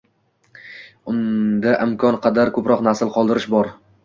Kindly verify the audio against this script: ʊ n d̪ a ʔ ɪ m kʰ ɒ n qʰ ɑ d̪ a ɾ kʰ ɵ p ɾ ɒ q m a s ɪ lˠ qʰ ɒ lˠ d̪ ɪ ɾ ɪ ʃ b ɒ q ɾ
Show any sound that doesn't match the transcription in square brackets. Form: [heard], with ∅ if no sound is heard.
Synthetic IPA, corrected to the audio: ʊ n d̪ a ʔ ɪ m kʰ ɒ n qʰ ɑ d̪ a ɾ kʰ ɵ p ɾ ɒ q [n] a s ɪ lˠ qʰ ɒ lˠ d̪ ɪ ɾ ɪ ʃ b ɒ [∅] ɾ